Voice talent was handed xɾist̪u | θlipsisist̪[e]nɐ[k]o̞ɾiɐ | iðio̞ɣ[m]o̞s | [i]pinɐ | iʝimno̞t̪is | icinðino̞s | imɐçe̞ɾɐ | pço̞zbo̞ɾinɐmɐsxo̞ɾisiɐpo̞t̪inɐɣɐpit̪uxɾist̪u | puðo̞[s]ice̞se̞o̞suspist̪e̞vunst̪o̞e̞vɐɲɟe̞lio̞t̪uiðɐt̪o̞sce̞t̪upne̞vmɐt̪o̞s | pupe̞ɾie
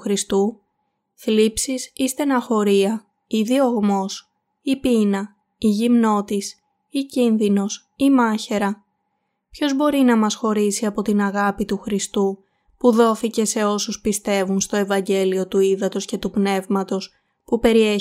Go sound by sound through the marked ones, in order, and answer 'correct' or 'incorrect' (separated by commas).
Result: correct, incorrect, correct, correct, incorrect